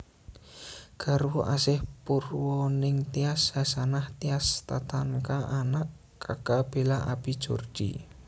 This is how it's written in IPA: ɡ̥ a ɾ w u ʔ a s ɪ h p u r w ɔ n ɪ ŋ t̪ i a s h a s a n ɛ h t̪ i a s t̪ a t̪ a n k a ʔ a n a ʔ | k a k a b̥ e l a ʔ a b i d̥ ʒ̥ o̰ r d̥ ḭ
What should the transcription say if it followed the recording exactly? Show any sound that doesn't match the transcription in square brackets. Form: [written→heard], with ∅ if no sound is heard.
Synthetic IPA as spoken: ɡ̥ a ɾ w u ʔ a s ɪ h p u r w ɔ n ɪ ŋ t̪ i a s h a s a n [ɛ→a] h t̪ i a s t̪ a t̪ a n k a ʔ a n a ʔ | k a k a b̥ e l a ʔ a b i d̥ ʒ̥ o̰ r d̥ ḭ